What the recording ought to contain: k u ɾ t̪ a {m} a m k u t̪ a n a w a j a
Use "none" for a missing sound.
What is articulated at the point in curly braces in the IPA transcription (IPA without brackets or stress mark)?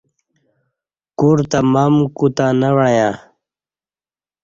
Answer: m